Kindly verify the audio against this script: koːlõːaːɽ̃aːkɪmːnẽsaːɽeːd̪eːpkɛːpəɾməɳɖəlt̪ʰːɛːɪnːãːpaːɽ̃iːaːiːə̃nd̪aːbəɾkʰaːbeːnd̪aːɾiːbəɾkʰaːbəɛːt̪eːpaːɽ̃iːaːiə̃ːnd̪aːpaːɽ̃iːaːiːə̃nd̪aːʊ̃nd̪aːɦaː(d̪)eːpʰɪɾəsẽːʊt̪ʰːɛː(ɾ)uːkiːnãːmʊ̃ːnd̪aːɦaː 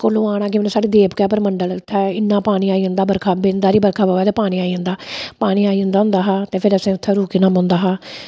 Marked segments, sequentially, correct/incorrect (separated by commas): incorrect, correct